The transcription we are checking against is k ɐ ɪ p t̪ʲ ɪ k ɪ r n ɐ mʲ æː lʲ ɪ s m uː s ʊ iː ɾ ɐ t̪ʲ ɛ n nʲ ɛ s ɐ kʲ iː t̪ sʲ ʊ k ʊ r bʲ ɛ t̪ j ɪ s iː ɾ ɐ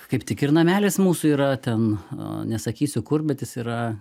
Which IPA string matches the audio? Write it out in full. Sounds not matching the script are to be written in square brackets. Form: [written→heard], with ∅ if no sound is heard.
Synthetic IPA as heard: k ɐ ɪ p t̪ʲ ɪ k ɪ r n ɐ mʲ æː lʲ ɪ s m uː s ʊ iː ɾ ɐ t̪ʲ ɛ n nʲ ɛ s ɐ kʲ iː [t̪→∅] sʲ ʊ k ʊ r bʲ ɛ t̪ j ɪ s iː ɾ ɐ